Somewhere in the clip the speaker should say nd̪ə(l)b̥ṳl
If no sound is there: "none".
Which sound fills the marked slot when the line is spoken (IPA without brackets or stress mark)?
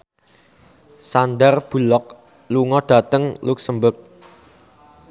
r